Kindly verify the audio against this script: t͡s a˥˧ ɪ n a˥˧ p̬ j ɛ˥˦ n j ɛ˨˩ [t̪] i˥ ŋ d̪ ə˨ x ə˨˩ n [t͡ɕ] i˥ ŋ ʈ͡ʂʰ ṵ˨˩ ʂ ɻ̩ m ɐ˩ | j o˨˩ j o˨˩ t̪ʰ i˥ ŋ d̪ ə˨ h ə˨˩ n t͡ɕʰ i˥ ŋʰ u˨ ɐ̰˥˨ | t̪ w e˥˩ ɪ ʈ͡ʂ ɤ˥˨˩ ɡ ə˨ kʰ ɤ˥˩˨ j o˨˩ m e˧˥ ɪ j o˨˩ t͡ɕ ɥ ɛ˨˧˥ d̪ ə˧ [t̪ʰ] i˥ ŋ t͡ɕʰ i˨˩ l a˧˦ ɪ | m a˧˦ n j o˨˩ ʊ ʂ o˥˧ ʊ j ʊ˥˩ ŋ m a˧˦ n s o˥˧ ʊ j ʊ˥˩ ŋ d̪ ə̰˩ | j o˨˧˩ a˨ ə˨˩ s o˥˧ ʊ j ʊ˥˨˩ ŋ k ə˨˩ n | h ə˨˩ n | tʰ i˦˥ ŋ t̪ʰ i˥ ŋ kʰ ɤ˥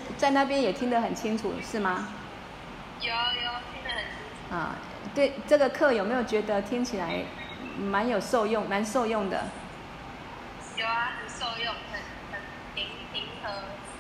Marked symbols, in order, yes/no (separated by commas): no, no, yes